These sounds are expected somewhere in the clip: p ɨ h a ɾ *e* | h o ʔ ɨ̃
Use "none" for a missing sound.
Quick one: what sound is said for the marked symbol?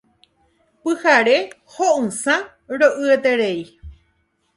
e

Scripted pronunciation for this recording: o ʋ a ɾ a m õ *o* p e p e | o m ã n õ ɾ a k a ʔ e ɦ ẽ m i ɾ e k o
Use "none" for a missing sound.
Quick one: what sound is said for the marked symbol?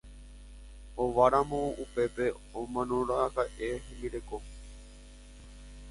u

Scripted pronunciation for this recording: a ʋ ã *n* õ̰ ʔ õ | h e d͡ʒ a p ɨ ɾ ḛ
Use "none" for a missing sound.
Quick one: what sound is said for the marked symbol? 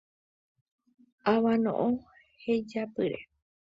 n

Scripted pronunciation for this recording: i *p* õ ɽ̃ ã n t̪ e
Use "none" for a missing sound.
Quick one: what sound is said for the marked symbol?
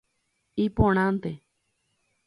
p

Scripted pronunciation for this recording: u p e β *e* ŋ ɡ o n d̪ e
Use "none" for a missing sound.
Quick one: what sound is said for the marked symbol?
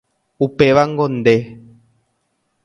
a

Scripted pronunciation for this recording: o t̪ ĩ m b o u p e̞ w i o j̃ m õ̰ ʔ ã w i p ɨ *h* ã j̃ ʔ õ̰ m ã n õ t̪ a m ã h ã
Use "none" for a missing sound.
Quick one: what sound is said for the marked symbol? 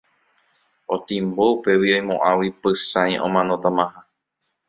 s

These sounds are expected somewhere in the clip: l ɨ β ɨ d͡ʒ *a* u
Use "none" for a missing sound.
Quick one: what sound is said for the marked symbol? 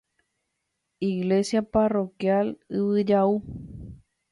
a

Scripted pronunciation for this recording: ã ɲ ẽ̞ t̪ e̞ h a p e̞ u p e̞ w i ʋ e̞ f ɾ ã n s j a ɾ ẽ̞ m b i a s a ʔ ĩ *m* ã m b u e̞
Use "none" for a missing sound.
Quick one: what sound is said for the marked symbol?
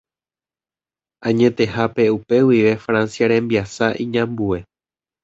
ɲ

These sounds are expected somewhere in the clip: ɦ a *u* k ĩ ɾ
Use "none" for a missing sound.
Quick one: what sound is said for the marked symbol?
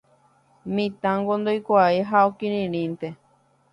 o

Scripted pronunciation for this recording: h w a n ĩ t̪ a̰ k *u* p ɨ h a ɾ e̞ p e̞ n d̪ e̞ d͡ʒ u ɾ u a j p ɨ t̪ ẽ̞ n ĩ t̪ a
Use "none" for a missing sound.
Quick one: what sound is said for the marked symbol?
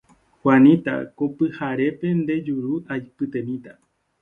o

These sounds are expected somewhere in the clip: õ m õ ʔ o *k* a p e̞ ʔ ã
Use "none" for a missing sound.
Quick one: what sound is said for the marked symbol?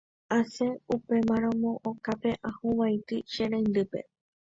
k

